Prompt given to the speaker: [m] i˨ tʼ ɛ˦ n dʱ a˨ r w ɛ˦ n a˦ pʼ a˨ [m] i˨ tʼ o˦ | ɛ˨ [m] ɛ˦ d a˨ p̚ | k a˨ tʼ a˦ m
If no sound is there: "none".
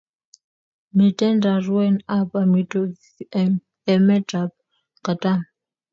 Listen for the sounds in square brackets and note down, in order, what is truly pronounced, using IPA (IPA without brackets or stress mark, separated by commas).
m, m, m